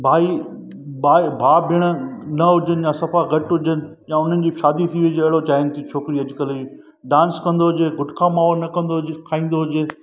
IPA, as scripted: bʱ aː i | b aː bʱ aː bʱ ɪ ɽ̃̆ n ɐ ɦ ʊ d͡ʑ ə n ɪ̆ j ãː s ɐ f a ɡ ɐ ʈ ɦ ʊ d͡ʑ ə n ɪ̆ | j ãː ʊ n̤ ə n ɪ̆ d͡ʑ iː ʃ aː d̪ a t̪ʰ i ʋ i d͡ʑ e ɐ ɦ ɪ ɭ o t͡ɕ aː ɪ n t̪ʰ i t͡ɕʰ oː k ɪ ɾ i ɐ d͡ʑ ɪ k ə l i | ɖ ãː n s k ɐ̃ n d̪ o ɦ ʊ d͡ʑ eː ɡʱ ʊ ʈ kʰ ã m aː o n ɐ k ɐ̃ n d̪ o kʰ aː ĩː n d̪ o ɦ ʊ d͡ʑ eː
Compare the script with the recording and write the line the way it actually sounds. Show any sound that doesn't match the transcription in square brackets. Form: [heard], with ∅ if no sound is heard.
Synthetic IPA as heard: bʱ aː i | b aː bʱ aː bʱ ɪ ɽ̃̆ n ɐ ɦ ʊ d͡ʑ ə n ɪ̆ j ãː s ɐ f a ɡ ɐ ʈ ɦ ʊ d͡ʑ ə n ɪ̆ | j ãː ʊ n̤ ə n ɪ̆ d͡ʑ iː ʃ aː d̪ [i] t̪ʰ i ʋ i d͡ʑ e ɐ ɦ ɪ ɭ o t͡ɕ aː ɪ n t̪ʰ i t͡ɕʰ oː k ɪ ɾ i ɐ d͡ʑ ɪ k ə l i | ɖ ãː n s k ɐ̃ n d̪ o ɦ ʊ d͡ʑ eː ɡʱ ʊ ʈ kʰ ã m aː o n ɐ k ɐ̃ n d̪ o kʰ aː ĩː n d̪ o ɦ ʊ d͡ʑ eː